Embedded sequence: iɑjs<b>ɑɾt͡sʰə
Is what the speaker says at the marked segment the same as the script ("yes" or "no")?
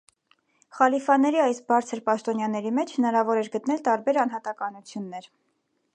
yes